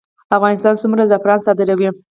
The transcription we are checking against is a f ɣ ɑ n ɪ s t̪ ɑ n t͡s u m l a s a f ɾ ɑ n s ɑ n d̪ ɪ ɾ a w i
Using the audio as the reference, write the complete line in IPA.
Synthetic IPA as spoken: a f ɣ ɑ n ɪ s t̪ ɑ n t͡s u m ɾ a z a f ɾ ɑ n s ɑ d̪ ɪ ɾ a w i